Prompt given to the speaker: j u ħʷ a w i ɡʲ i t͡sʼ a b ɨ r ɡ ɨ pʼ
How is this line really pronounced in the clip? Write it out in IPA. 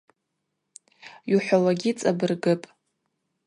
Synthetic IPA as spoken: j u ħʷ a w a ɡʲ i t͡sʼ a b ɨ r ɡ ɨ pʼ